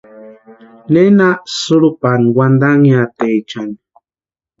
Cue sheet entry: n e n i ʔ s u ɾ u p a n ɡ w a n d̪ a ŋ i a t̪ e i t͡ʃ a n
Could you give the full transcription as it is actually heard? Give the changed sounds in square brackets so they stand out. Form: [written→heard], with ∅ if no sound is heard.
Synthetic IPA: n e n [i→a] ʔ s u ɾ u p a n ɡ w a n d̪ a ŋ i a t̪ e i t͡ʃ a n